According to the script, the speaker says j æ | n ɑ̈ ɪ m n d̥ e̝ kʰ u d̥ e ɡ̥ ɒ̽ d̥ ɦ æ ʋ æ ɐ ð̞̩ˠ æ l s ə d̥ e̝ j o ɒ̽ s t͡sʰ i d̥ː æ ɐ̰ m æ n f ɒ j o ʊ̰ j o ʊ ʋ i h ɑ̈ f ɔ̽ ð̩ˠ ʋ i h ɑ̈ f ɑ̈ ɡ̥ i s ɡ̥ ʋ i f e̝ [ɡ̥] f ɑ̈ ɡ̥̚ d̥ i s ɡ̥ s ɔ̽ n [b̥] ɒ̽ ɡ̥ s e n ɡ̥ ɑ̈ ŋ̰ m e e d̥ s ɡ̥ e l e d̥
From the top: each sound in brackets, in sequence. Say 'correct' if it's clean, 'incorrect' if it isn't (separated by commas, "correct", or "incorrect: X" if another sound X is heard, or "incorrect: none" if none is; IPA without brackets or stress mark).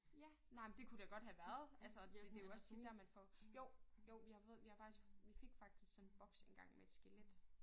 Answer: correct, correct